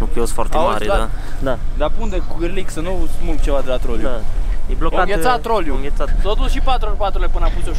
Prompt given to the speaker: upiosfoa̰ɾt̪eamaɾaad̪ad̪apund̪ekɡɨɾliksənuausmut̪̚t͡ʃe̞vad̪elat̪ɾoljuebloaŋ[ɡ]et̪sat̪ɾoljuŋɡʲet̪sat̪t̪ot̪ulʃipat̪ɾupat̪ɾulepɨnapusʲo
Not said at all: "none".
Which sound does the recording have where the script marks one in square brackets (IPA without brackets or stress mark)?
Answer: ɡ